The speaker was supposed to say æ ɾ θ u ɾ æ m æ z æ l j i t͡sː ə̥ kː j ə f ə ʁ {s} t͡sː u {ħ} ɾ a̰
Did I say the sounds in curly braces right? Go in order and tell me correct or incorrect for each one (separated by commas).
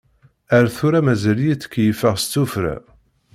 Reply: correct, incorrect